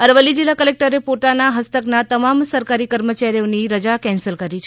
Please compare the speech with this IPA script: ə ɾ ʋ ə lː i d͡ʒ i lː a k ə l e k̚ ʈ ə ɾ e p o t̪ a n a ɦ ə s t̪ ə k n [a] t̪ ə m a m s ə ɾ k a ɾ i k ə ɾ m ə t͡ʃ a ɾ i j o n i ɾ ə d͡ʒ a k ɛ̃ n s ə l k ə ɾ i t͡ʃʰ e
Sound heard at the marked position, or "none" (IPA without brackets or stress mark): a